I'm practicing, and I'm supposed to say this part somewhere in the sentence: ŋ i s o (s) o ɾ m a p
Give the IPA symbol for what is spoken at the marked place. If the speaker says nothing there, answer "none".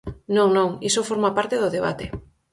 f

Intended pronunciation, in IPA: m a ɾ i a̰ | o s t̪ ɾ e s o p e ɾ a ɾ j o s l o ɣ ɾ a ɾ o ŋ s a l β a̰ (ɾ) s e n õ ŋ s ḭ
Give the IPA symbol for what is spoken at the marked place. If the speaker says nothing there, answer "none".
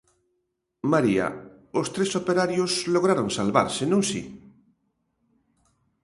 ɾ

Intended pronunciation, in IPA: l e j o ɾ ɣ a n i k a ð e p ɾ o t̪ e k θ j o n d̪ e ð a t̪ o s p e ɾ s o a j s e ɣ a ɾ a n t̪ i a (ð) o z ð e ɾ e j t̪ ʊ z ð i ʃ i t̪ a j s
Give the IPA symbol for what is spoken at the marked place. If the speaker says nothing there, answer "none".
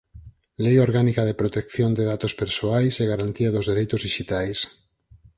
ð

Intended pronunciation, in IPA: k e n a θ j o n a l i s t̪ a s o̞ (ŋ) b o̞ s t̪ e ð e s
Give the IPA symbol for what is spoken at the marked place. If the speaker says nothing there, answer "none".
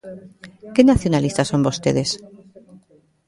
m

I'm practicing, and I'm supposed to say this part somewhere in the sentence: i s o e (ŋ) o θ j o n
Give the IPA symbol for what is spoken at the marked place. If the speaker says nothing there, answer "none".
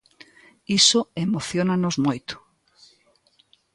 m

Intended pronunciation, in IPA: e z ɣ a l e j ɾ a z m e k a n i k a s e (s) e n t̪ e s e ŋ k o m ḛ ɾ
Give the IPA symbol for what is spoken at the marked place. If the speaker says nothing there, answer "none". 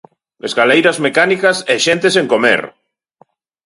ʃ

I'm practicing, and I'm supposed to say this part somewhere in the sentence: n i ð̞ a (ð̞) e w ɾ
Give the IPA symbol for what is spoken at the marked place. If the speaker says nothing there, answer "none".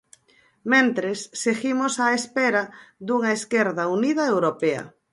none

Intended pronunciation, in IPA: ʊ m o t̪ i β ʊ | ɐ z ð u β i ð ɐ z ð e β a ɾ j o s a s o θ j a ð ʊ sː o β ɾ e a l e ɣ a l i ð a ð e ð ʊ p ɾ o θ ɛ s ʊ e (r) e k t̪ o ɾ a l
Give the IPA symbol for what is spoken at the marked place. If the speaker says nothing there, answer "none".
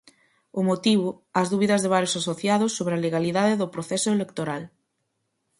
l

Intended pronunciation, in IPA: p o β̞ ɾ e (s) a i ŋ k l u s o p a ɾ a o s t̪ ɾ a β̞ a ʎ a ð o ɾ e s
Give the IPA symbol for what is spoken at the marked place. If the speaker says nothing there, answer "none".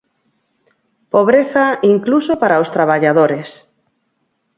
θ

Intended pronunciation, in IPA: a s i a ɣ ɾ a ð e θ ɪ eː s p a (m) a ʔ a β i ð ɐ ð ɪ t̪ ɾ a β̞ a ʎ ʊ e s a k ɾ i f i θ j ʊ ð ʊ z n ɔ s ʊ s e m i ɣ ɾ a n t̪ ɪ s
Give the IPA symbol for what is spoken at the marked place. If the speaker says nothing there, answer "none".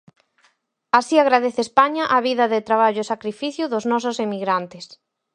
ɲ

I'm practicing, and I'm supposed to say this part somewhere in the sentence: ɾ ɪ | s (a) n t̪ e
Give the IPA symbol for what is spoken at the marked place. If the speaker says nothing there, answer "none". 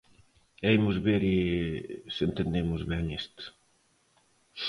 e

